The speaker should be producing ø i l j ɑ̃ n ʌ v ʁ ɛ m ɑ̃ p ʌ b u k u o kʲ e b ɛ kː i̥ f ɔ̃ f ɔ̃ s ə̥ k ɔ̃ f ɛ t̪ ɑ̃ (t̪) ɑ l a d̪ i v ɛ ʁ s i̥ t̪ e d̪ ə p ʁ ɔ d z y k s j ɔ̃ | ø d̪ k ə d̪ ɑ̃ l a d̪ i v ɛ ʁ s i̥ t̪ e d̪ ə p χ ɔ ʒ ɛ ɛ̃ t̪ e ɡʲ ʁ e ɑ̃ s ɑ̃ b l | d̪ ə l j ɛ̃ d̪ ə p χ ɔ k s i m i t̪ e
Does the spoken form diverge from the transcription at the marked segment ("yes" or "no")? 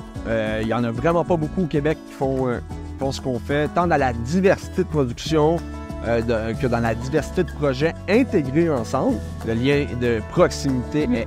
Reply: yes